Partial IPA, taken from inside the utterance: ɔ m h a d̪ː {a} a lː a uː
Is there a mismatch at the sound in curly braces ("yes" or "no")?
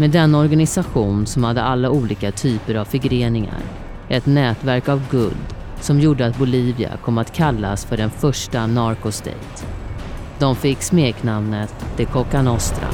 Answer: yes